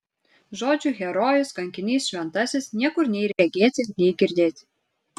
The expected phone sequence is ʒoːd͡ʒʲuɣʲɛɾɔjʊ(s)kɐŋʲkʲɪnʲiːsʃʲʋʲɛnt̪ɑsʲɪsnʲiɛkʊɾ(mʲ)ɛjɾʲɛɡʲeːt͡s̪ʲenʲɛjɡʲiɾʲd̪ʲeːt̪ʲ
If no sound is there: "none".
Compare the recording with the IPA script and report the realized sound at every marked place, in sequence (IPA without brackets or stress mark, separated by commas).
s, nʲ